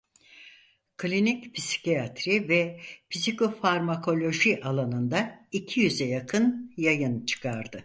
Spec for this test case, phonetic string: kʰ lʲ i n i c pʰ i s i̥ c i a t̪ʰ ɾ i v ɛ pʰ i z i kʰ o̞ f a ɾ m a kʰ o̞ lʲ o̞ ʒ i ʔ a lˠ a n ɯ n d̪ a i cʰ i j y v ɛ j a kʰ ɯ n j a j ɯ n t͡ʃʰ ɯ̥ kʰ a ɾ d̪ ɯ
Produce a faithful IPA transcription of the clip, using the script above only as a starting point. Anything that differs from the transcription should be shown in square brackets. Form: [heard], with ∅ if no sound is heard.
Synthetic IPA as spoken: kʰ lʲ i n i c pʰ i s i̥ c i a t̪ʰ ɾ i v ɛ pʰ i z i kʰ o̞ f a ɾ m a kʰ o̞ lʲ o̞ ʒ i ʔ a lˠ a n ɯ n d̪ a i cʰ i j y [z] ɛ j a kʰ ɯ n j a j ɯ n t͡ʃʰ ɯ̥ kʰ a ɾ d̪ ɯ

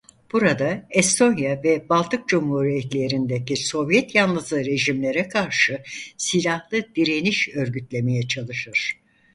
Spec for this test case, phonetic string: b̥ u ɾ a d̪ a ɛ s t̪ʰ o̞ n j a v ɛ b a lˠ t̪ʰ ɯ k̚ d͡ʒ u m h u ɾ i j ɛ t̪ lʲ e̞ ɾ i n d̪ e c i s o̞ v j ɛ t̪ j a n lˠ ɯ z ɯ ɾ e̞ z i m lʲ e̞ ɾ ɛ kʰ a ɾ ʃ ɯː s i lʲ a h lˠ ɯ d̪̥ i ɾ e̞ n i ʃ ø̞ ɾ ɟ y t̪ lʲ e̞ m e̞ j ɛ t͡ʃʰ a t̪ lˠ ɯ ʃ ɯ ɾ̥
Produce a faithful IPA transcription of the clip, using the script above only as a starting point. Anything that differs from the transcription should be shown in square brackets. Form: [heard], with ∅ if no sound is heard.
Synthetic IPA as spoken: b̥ u ɾ a d̪ a ɛ s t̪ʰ o̞ n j a v ɛ b a lˠ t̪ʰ ɯ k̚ d͡ʒ u m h u ɾ i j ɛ t̪ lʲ e̞ ɾ i n d̪ e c i s o̞ v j ɛ t̪ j a n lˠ ɯ z ɯ ɾ e̞ [ʒ] i m lʲ e̞ ɾ ɛ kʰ a ɾ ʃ [ɯ] s i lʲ a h lˠ ɯ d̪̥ i ɾ e̞ n i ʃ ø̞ ɾ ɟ y t̪ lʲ e̞ m e̞ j ɛ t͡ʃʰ a [∅] lˠ ɯ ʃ ɯ ɾ̥

